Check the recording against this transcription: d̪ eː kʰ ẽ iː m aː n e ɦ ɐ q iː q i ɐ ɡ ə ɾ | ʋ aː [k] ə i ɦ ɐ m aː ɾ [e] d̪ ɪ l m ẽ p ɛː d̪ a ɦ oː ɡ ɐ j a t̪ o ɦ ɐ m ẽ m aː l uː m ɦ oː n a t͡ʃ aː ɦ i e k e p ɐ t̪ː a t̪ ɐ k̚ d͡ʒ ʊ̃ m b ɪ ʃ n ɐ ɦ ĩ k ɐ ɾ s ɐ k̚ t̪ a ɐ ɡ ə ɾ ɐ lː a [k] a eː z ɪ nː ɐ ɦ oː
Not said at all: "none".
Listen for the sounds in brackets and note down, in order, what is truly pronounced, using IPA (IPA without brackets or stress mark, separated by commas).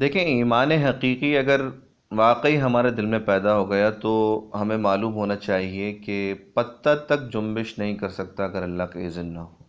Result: q, e, k